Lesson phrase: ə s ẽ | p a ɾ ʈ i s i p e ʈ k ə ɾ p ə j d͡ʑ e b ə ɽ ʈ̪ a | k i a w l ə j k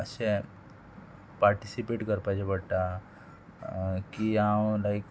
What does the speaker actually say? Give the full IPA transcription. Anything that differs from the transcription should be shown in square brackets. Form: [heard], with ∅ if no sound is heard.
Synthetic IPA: ə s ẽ | p a ɾ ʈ i s i p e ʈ k ə ɾ p [a] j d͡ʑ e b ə ɽ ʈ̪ a | k i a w l [a] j k